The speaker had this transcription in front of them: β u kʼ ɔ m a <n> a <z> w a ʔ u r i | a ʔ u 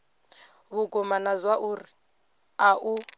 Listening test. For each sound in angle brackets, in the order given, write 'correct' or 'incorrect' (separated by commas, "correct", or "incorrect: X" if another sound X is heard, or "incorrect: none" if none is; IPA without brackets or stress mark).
correct, correct